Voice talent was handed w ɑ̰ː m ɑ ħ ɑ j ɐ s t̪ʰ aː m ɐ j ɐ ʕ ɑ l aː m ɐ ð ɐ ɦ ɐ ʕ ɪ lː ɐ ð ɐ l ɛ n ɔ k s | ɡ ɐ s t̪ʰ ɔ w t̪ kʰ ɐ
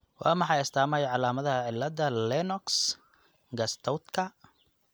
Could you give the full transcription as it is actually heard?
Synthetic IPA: w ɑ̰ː m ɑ ħ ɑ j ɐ s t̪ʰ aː m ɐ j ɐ ʕ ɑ l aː m ɐ ð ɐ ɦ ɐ ʕ ɪ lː ɐ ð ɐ l ɛ n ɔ k s | ɡ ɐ s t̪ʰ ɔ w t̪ kʰ ɐ